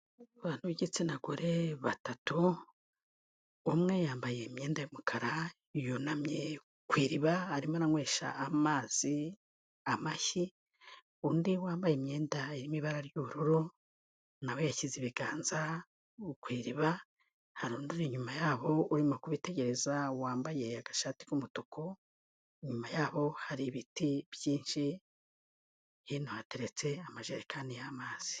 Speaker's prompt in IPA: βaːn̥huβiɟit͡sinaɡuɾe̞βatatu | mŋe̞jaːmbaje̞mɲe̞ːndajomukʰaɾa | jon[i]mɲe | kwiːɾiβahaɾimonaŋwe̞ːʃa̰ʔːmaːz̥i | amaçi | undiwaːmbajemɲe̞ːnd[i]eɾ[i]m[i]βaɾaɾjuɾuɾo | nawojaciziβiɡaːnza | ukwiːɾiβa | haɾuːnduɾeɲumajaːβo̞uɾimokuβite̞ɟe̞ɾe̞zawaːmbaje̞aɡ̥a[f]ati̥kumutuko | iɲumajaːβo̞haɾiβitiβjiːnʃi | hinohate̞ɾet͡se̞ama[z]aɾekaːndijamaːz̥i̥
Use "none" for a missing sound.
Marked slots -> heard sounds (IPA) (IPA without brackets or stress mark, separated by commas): a, a, i, i, ʃ, ʒ